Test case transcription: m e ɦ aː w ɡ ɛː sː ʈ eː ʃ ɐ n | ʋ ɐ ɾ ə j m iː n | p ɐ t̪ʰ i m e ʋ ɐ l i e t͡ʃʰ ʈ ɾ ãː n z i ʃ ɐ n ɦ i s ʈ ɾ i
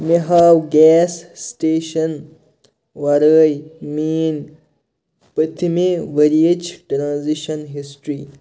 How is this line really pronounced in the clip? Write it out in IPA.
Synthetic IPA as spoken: m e ɦ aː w ɡ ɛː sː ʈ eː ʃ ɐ n | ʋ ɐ ɾ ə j m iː n | p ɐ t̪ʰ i m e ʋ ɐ ɾ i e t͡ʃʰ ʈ ɾ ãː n z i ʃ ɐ n ɦ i s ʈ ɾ i